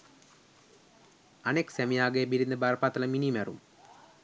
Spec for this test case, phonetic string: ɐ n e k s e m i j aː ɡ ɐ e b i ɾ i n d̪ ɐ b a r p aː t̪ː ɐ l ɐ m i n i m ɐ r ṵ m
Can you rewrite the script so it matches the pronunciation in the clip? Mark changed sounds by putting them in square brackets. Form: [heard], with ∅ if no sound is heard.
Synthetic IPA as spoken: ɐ n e k s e m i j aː ɡ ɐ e b i ɾ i n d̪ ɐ b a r p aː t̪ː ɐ l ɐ m i n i m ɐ r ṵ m